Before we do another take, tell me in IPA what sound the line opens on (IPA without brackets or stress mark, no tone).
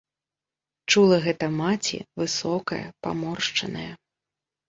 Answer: t͡ʂ